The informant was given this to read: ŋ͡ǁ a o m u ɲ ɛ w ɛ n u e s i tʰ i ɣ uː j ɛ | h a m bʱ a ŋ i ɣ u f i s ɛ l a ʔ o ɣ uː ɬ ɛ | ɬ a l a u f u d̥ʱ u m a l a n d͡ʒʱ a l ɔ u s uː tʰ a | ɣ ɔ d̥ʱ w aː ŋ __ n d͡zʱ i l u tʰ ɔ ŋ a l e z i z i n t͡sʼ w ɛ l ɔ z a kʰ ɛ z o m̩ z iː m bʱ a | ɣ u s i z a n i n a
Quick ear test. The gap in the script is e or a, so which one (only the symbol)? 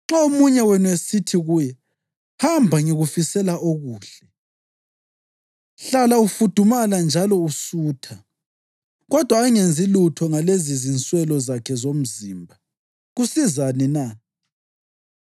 e